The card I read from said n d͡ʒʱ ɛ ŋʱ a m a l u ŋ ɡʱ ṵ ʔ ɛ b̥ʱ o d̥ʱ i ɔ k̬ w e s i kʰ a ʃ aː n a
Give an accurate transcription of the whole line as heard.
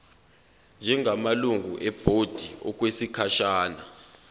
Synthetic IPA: n d͡ʒʱ ɛ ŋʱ a m a l u ŋ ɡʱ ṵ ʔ ɛ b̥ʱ o d̥ʱ i ɔ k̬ w e s i kʰ a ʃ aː n a